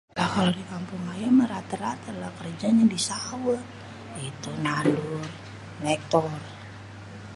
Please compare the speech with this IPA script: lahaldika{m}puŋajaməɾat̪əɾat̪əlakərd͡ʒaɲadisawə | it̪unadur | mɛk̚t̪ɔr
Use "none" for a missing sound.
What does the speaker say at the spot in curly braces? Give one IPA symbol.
m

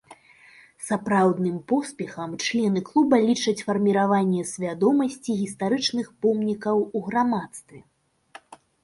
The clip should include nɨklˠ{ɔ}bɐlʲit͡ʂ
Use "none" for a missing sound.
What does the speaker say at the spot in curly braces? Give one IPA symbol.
u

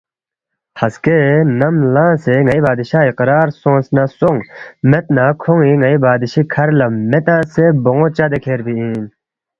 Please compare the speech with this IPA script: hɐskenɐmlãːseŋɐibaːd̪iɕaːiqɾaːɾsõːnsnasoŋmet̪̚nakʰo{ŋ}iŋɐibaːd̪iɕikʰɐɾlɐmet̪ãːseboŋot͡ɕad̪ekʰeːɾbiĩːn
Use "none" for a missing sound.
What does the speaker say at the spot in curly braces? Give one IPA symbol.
ŋ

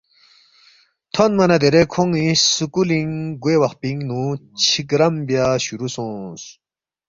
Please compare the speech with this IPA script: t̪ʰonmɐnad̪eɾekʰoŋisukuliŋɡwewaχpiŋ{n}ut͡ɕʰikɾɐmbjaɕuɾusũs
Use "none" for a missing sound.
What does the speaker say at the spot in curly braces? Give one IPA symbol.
n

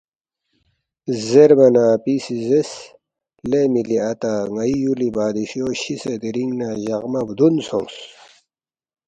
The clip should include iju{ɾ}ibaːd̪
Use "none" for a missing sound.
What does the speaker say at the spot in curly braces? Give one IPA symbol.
l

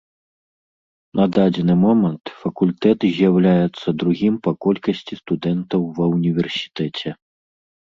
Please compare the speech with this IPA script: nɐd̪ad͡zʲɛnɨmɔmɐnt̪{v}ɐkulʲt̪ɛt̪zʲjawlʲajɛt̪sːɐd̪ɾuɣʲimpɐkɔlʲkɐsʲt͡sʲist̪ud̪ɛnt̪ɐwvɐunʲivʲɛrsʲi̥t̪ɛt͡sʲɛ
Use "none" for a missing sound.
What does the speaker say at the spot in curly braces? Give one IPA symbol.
f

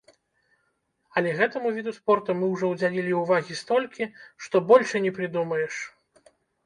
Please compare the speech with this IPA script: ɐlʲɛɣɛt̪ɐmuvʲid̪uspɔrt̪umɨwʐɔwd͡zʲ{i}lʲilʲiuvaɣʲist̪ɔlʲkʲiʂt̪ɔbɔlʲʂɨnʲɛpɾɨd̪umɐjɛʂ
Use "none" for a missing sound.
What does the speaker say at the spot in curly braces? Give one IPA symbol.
a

